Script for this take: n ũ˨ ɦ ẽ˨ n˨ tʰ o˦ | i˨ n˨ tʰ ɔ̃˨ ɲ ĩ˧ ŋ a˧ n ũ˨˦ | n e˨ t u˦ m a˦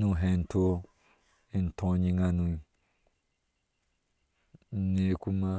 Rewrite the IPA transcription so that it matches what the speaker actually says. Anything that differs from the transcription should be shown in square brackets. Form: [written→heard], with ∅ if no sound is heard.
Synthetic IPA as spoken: n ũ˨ ɦ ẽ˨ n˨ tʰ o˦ | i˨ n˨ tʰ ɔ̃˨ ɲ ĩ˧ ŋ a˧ n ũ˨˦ | n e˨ [t→k] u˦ m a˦